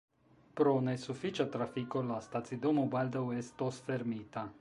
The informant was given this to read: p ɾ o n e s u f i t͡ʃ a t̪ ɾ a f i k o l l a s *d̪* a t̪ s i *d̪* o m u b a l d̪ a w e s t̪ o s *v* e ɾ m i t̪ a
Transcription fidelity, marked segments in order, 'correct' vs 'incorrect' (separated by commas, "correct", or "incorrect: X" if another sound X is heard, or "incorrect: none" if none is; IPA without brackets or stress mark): incorrect: t̪, correct, incorrect: f